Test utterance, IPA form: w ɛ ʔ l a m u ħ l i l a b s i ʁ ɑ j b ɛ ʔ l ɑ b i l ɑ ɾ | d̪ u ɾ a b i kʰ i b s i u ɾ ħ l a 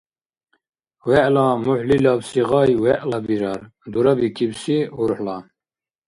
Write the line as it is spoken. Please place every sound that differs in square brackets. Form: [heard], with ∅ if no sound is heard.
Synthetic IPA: w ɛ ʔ l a m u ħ l i l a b s i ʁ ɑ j [w] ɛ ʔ l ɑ b i [ɾ] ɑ ɾ | d̪ u ɾ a b i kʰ i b s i u ɾ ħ l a